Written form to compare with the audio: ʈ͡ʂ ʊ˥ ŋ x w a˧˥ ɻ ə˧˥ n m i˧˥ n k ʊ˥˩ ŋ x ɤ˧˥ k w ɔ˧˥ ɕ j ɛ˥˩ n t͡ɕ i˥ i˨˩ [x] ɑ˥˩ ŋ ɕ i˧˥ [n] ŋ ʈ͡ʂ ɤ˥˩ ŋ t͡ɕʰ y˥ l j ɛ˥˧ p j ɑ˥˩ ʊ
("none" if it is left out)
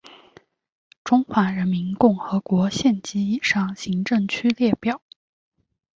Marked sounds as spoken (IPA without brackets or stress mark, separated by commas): ʂ, none